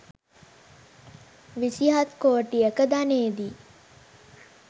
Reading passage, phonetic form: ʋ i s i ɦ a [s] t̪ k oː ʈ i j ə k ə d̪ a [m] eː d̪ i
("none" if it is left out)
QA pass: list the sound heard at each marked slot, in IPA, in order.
none, n

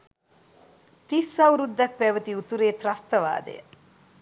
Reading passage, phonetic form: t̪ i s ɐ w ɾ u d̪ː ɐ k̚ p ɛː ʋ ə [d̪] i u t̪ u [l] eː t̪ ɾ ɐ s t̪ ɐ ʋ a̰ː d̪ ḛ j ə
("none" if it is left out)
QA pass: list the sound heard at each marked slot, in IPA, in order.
t̪, ɾ

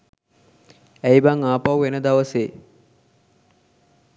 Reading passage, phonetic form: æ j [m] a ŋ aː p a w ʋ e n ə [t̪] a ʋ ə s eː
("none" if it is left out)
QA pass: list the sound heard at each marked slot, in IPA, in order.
b, d̪

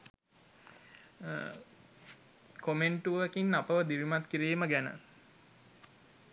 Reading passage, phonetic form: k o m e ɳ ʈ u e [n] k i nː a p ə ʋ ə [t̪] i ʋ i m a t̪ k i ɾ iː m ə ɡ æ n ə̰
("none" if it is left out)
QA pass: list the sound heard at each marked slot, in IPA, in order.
none, d̪

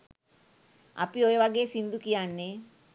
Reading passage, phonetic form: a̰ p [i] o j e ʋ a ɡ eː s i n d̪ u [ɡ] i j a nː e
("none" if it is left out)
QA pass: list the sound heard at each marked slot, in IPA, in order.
i, k

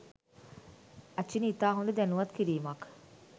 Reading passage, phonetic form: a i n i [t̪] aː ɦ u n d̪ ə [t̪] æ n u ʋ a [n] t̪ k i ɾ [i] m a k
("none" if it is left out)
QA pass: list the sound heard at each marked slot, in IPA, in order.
t̪, d̪, none, iː

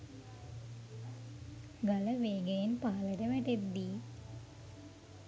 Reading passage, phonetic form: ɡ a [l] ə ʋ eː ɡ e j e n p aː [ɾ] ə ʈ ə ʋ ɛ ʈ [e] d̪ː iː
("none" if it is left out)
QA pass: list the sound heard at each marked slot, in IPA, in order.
l, l, e

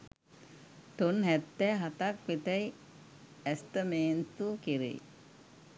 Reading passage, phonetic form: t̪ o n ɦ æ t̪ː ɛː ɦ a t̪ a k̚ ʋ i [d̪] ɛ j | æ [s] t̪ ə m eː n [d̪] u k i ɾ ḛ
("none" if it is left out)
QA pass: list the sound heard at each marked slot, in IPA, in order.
t̪, s, t̪

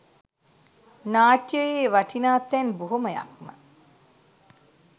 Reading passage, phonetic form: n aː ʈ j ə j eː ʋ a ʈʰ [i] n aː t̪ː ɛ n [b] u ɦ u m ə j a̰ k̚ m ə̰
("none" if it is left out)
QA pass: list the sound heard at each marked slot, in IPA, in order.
i, b

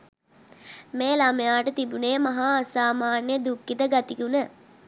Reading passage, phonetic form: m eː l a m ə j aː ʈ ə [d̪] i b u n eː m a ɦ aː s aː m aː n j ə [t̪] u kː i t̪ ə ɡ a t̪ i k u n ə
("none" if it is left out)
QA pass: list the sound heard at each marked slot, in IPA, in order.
t̪, d̪

